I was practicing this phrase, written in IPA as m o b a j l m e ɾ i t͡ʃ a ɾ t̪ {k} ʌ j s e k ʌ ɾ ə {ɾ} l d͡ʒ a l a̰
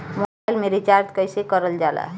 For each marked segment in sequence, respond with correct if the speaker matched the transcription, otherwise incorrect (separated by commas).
correct, incorrect